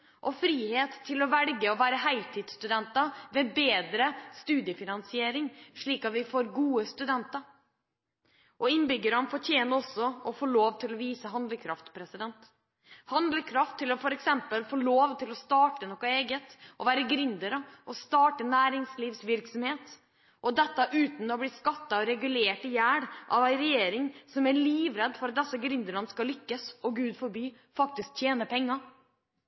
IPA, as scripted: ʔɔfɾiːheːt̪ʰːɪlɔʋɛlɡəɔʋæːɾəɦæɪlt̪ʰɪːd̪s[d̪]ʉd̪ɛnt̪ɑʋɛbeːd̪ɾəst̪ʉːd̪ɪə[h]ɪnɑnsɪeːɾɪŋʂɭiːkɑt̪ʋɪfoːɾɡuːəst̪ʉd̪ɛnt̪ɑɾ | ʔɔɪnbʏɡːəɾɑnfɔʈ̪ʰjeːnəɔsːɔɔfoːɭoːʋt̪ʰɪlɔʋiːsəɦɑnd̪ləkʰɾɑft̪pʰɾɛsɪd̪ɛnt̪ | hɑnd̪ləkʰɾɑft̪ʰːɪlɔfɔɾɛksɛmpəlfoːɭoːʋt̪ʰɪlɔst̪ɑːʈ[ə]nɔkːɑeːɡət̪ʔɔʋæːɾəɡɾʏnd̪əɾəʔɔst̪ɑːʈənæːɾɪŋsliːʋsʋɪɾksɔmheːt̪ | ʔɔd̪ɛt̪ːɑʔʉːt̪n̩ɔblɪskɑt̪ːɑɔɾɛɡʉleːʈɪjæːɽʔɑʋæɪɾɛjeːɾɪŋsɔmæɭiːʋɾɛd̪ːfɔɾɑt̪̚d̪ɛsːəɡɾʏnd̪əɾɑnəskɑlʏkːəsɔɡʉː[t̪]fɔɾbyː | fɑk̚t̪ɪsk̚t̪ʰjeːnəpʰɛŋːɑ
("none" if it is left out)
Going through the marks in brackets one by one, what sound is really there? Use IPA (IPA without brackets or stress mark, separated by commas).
t̪, f, ə, d̪